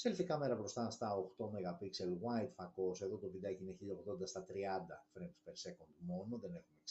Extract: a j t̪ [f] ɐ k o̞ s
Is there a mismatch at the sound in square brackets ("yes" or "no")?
no